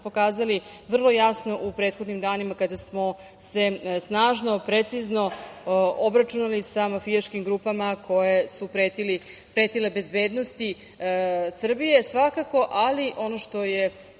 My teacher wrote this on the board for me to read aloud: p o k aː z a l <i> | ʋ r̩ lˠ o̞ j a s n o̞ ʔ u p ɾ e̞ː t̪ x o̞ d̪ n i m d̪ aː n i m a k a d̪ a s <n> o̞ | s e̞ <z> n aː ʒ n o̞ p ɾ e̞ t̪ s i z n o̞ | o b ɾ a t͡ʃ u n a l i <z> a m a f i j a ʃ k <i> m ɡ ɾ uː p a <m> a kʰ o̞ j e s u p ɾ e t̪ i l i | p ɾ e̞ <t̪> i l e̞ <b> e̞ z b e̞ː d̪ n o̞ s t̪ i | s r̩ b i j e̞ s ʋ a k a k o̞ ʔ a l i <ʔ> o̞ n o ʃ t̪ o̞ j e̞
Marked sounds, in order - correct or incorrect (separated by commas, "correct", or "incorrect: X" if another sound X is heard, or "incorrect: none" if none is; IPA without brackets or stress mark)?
correct, incorrect: m, incorrect: s, incorrect: s, correct, correct, correct, correct, correct